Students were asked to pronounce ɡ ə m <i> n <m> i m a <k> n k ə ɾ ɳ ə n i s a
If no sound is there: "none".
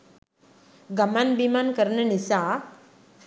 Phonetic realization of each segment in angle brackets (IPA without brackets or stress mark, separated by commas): a, b, none